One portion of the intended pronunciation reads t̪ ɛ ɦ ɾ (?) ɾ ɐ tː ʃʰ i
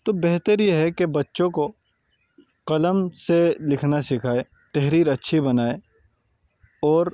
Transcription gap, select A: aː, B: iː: B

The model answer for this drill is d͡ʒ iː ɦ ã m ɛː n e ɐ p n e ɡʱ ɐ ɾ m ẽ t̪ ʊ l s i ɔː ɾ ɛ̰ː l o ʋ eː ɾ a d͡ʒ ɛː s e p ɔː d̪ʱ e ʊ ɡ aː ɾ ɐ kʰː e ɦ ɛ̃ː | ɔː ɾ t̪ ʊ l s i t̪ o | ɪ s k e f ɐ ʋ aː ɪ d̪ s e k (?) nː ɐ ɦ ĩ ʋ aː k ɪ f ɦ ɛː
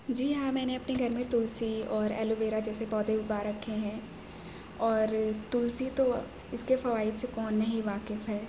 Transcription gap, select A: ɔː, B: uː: A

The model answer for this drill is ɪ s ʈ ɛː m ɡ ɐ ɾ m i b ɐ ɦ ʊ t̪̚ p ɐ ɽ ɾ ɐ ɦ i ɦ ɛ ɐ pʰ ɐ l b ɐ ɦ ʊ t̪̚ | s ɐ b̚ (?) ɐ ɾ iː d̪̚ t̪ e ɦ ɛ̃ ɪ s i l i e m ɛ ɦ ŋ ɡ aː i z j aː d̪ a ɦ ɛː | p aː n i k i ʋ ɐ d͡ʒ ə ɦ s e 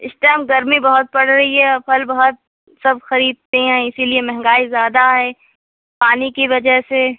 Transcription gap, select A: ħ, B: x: B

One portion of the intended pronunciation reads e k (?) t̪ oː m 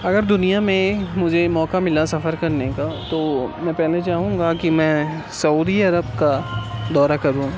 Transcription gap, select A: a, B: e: A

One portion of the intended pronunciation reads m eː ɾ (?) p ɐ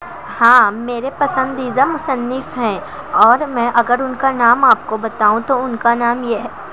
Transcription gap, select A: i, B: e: B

